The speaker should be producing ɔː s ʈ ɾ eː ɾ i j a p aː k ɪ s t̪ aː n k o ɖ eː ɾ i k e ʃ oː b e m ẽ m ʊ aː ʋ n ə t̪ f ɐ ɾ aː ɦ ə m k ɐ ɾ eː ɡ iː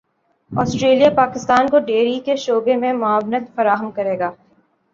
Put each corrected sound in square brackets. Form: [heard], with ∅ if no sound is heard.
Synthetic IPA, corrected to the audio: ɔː s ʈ ɾ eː [l] i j a p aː k ɪ s t̪ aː n k o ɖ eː ɾ i k e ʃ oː b e m ẽ m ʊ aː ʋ n ə t̪ f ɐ ɾ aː ɦ ə m k ɐ ɾ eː ɡ [aː]